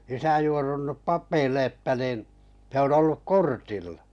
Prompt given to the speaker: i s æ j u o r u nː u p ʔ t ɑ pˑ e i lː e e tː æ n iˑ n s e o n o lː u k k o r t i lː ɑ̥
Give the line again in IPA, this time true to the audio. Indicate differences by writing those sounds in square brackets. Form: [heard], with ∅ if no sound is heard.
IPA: i s æ j u o r u nː u p ʔ [p] ɑ pˑ e i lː e e tː æ n iˑ n s e o n o lː u k k o r t i lː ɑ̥